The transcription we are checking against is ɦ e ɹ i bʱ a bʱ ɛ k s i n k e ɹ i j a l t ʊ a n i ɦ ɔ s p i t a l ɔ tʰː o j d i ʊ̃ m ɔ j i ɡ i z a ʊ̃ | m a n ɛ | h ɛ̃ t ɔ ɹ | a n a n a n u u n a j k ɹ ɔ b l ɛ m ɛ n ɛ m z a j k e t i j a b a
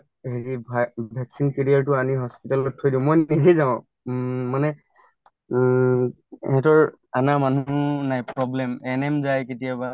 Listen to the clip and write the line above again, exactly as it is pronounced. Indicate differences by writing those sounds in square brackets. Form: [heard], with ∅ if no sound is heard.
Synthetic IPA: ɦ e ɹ i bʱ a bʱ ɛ k s i n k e ɹ i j a [ɹ] t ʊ a n i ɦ ɔ s p i t a l ɔ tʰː o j d i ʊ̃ m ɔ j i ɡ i z a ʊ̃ | m a n ɛ | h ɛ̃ t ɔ ɹ | a n a [m] a n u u n a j [p] ɹ ɔ b l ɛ m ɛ n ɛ m z a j k e t i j a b a